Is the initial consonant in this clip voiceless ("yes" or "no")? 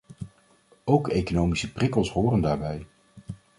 no